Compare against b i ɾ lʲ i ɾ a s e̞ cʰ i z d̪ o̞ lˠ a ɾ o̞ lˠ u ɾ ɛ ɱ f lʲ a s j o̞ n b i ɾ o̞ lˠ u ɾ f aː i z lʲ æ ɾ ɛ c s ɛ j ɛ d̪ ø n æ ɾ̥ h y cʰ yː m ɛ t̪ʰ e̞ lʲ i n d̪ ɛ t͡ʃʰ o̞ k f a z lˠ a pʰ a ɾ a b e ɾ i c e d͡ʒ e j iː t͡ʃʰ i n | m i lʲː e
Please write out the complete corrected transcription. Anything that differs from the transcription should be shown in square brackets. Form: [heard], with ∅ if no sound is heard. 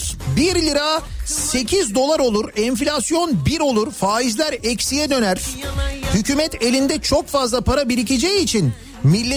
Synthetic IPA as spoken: b i ɾ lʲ i ɾ a s e̞ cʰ i z d̪ o̞ lˠ a ɾ o̞ lˠ u ɾ ɛ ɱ f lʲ a s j o̞ n b i ɾ o̞ lˠ u ɾ f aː i z lʲ æ ɾ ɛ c s [i] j ɛ d̪ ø n æ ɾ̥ h y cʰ yː m ɛ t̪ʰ e̞ lʲ i n d̪ ɛ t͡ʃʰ o̞ k f a z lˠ a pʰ a ɾ a b [i] ɾ i c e d͡ʒ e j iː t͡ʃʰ i n | m i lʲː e